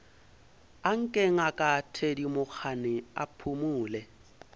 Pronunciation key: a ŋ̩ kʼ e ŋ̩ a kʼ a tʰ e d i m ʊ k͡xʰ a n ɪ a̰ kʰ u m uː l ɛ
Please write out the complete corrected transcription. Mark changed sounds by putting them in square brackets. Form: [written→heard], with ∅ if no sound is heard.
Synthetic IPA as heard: a ŋ̩ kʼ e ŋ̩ a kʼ a tʰ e d i m ʊ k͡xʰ a n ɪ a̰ [kʰ→pʰ] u m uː l ɛ